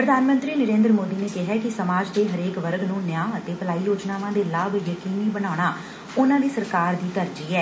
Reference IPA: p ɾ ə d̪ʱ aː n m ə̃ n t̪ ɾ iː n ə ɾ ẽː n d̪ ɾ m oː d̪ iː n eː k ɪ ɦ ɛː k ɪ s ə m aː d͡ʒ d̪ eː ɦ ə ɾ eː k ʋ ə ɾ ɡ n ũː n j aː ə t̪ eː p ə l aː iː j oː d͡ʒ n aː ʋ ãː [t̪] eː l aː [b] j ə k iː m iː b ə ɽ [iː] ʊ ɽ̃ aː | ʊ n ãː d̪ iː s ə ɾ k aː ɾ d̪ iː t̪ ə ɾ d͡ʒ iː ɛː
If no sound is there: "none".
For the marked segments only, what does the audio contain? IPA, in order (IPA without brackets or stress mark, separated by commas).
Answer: d̪, b, aː